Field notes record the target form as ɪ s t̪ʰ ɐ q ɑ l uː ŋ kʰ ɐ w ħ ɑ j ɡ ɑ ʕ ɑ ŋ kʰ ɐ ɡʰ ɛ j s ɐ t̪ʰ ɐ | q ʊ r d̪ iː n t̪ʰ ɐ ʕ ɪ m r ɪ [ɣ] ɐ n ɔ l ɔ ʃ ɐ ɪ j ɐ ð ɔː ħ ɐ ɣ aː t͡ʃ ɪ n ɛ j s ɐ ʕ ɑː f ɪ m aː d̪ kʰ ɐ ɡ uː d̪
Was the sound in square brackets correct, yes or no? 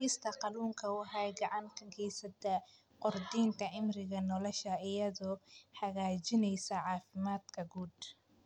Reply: yes